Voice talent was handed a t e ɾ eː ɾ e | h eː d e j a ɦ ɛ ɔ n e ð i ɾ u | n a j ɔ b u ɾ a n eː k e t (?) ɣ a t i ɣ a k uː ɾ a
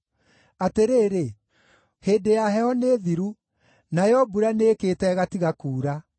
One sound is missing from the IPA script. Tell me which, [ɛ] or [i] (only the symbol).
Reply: ɛ